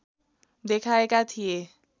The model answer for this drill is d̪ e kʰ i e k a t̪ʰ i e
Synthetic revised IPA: d̪ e kʰ a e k a t̪ʰ i e

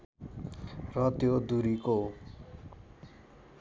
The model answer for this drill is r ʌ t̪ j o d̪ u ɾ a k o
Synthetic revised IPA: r ʌ t̪ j o d̪ u ɾ i k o

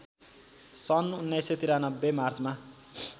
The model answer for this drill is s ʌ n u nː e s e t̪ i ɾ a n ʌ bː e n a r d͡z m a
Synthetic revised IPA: s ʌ n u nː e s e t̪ i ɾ a n ʌ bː e m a r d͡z m a

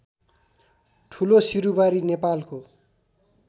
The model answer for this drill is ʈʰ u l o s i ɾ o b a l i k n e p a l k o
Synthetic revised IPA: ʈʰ u l o s i ɾ u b a ɾ i n e p a l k o

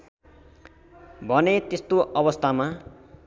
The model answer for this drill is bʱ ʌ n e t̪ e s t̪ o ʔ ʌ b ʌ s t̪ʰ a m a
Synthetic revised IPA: bʱ ʌ n e t̪ e s t̪ o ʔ ʌ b ʌ s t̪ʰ a m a

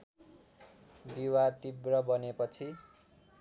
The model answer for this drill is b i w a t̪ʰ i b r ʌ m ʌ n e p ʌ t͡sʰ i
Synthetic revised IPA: b i w a t̪ i b r ʌ b ʌ n e p ʌ t͡sʰ i

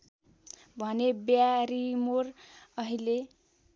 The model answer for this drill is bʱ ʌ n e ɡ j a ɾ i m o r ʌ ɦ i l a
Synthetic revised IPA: bʱ ʌ n e b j a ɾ i m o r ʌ ɦ i l e

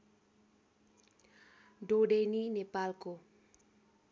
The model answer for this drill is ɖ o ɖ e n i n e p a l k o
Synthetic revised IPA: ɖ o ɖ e n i n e p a l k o

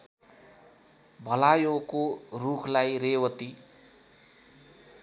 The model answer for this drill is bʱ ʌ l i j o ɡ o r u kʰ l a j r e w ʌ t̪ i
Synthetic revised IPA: bʱ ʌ l a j o k o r u kʰ l a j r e w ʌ t̪ i

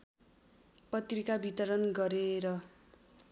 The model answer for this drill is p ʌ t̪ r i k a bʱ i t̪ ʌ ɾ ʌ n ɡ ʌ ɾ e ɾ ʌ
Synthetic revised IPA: p ʌ t̪ r i k a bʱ i t̪ ʌ ɾ ʌ n ɡ ʌ ɾ e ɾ ʌ

